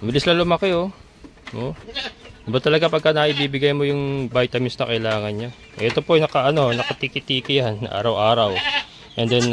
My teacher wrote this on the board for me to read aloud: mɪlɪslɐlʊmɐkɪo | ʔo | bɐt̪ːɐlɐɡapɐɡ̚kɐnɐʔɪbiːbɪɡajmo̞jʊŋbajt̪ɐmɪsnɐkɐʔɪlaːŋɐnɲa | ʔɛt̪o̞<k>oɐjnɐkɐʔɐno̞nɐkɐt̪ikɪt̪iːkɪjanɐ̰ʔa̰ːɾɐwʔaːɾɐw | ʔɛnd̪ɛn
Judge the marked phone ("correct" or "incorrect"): incorrect